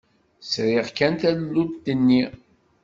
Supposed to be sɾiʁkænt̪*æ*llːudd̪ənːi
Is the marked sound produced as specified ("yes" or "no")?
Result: yes